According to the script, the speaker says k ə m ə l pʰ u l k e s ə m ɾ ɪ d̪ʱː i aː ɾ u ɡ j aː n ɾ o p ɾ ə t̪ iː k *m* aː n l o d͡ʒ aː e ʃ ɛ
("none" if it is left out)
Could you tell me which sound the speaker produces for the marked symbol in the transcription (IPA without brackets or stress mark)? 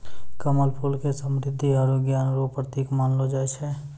m